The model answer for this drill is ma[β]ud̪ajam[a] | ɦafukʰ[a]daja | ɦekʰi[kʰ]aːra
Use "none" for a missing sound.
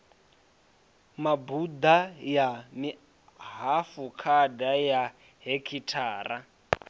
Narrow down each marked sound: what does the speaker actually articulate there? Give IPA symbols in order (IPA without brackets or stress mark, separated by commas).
b, i, a, tʰ